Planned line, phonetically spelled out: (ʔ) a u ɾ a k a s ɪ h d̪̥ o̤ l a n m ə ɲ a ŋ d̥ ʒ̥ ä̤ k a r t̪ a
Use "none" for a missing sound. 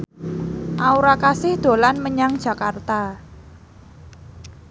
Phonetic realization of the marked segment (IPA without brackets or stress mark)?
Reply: ʔ